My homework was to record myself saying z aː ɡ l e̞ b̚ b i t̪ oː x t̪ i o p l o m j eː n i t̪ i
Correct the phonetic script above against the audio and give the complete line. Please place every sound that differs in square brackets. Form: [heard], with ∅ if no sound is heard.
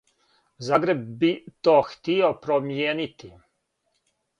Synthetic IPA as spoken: z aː ɡ [ɾ] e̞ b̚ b i t̪ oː x t̪ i o p [ɾ] o m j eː n i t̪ i